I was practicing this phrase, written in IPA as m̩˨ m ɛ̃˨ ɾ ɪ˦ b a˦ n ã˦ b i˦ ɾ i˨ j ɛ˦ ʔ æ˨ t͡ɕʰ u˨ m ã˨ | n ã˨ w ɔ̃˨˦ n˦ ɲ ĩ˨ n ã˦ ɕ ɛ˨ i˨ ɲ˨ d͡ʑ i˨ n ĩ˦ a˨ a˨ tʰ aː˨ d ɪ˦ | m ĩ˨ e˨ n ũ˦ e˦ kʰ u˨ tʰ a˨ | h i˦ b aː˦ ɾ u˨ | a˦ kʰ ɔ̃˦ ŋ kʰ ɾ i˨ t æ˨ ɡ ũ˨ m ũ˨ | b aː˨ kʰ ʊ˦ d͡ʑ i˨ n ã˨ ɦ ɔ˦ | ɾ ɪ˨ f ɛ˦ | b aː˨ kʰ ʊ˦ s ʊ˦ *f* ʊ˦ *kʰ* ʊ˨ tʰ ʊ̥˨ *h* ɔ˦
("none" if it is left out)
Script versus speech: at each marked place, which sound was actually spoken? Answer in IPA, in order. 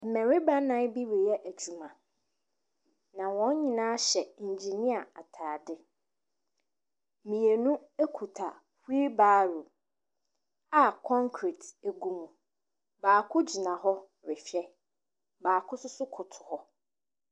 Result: s, kʰ, h

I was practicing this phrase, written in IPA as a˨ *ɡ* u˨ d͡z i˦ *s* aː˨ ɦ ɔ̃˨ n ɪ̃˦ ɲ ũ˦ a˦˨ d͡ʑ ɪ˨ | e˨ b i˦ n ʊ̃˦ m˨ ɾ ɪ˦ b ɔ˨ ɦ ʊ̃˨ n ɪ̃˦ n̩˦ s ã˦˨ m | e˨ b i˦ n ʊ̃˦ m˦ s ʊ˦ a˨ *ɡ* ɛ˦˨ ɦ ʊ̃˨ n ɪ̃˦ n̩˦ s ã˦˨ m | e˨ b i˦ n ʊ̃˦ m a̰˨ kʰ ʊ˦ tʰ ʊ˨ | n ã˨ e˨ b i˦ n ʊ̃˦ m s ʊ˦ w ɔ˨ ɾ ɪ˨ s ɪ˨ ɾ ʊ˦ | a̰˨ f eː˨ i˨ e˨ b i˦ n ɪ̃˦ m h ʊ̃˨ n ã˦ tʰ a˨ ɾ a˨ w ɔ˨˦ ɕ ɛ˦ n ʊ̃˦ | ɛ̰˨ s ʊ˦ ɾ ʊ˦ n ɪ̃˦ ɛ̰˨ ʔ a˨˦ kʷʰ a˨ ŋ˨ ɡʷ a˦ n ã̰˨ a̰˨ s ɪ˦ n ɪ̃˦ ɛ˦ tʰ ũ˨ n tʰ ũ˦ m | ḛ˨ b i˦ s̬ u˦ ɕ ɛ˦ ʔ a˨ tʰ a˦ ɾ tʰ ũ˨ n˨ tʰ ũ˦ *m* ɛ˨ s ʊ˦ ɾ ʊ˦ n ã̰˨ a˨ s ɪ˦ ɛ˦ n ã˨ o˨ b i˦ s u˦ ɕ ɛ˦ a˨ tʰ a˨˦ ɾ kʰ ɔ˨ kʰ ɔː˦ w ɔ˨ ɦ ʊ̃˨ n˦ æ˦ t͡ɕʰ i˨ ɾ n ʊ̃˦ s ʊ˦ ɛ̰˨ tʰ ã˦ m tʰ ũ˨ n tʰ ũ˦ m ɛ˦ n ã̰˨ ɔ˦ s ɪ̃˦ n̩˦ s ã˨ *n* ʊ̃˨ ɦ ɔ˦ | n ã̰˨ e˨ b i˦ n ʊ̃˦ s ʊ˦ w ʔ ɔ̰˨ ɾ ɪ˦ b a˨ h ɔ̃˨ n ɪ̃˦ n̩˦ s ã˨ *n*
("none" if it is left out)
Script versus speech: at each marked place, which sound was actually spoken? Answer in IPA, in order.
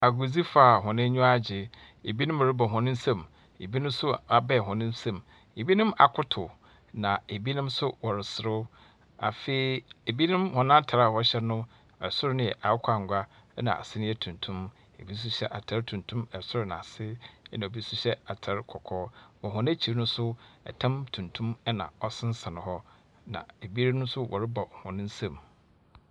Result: ɡ, f, b, m, n, m

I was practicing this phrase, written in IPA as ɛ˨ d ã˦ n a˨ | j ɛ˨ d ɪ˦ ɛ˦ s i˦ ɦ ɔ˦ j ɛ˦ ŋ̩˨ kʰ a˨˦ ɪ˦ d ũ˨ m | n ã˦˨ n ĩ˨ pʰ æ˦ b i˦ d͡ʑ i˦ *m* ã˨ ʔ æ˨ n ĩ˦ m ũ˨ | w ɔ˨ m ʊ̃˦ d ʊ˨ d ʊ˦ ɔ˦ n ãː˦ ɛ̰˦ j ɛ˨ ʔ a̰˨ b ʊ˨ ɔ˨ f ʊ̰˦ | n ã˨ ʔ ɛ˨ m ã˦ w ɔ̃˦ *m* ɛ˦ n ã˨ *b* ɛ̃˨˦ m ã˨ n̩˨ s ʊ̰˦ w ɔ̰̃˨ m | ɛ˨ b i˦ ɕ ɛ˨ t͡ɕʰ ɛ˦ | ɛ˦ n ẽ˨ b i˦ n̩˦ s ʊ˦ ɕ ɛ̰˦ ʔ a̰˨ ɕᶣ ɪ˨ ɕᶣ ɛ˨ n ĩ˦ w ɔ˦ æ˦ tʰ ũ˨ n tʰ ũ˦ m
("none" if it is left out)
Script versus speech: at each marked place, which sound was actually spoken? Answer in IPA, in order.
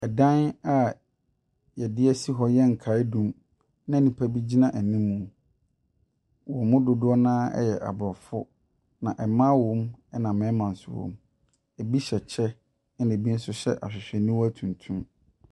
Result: n, m, m

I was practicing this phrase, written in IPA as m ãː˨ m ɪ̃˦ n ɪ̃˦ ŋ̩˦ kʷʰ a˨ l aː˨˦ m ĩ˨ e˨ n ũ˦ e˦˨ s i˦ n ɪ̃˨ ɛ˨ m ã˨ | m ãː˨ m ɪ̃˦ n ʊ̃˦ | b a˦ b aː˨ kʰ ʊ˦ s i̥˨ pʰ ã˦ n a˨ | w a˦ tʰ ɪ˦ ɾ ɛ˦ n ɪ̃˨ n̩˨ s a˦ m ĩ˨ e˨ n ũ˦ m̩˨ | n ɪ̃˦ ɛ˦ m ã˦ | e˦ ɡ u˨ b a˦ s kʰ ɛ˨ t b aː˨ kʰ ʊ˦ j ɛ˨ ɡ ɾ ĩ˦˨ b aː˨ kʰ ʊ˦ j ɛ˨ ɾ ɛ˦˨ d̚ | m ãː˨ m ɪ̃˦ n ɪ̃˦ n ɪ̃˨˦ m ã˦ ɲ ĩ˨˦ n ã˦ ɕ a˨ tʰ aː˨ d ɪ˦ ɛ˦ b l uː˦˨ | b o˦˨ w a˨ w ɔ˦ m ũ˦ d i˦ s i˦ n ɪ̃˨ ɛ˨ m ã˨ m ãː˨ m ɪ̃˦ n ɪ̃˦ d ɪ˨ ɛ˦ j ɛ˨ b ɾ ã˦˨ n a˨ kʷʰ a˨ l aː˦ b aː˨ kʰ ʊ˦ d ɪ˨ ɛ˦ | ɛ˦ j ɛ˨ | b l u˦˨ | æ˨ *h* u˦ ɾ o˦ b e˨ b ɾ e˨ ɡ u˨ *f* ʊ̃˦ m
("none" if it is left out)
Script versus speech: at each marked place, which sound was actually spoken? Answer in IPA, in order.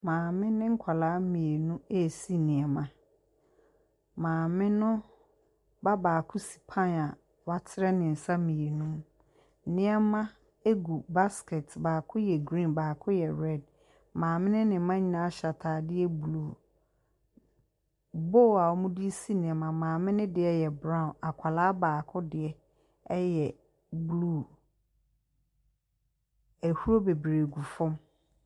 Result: h, f

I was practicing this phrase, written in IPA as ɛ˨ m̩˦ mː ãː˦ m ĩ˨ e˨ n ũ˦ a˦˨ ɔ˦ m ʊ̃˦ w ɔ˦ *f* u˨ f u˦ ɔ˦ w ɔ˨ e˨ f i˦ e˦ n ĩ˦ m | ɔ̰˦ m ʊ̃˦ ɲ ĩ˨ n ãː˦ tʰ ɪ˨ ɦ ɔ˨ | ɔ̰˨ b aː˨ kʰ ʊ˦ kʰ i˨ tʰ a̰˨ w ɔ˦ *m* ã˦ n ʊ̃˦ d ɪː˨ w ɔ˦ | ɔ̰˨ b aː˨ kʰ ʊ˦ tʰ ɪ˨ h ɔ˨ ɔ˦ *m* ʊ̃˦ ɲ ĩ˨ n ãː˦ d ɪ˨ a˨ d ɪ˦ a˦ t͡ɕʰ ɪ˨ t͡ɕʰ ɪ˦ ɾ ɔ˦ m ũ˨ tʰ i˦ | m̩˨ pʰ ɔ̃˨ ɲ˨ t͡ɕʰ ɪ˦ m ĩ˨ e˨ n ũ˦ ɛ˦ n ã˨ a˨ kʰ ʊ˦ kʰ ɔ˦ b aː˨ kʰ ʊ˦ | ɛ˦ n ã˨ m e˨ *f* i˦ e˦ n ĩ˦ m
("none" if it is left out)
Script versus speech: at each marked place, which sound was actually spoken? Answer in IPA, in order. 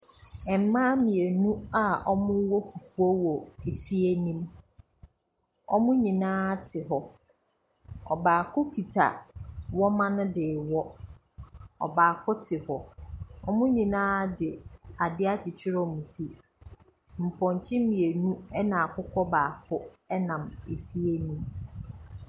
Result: f, m, m, f

